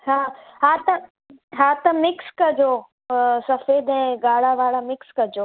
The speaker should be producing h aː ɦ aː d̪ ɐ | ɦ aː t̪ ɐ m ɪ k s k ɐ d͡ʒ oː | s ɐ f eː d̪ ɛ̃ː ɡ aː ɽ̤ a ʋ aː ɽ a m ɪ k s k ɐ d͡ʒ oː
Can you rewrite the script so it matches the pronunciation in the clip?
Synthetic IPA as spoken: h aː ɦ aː t̪ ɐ | ɦ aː t̪ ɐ m ɪ k s k ɐ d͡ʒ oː | s ɐ f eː d̪ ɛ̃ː ɡ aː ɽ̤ a ʋ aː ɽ a m ɪ k s k ɐ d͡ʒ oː